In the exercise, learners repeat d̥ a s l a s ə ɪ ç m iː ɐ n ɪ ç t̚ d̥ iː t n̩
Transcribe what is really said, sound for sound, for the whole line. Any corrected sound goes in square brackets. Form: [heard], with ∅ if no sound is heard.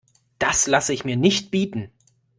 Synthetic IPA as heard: d̥ a s l a s ə ɪ ç m iː ɐ n ɪ ç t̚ [b̥] iː t n̩